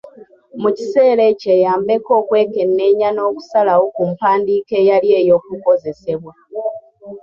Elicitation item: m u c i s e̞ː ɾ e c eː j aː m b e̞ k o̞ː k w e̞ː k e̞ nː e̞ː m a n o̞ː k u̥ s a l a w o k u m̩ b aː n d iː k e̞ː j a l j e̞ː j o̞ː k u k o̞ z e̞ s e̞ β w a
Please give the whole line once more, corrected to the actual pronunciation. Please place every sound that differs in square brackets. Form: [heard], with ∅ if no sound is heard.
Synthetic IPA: m u c i s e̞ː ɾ e c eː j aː m b e̞ k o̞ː k w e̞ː k e̞ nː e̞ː [ɲ] a n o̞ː k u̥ s a l a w o k u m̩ [p] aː n d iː k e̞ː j a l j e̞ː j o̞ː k u k o̞ z e̞ s e̞ β w a